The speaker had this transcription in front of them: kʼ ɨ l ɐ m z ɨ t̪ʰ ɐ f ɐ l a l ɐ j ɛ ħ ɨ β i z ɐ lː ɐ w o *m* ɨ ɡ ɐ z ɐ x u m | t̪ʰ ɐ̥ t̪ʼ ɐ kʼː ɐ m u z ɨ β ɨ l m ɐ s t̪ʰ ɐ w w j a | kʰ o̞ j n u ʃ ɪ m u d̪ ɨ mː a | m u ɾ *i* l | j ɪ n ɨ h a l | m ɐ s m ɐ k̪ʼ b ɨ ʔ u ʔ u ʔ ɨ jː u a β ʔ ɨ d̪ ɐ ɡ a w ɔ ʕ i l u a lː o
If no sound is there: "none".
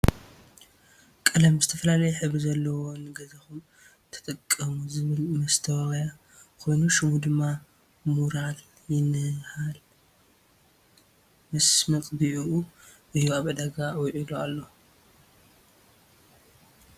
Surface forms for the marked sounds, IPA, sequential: n, a

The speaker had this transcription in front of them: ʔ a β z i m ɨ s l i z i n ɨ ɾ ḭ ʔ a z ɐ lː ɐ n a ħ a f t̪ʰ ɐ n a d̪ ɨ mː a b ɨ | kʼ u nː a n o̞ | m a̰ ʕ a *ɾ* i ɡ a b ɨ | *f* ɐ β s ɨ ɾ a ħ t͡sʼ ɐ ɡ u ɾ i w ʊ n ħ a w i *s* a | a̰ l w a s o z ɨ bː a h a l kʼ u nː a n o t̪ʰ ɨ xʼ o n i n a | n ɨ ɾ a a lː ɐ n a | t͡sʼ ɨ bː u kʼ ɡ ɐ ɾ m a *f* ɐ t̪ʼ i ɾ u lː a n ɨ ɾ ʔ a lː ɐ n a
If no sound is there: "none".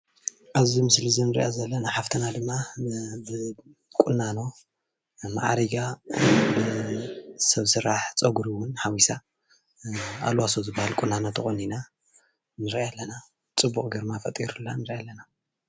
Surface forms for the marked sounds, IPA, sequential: ɾ, s, s, f

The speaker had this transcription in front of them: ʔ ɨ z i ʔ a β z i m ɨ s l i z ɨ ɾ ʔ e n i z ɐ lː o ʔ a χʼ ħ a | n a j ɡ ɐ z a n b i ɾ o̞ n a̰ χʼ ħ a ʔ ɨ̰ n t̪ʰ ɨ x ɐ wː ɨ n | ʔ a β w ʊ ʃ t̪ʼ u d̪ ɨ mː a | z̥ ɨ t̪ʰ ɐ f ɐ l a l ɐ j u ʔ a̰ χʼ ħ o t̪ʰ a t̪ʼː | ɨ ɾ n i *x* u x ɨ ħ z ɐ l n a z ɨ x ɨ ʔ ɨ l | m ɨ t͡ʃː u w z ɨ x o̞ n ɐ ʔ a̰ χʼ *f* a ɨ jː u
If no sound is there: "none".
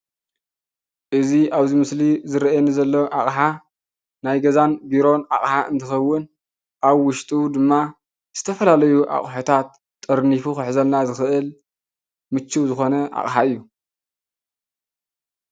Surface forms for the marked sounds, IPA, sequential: f, ħ

